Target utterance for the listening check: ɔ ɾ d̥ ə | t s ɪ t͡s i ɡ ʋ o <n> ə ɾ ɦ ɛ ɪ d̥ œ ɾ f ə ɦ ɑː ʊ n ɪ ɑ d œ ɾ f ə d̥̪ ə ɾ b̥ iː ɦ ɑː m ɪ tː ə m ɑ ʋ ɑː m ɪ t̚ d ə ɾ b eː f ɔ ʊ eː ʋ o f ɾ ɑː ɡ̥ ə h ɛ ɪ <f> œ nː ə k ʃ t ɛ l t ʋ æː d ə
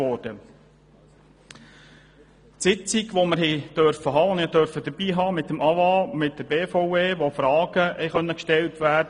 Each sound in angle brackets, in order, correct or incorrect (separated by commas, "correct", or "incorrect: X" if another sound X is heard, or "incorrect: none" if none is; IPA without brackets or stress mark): incorrect: m, incorrect: χ